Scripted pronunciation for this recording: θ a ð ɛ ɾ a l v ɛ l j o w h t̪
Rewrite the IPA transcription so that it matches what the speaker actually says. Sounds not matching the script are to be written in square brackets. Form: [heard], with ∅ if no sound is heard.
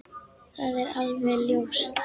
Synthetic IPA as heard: θ a ð ɛ ɾ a l v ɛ l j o w [s] t̪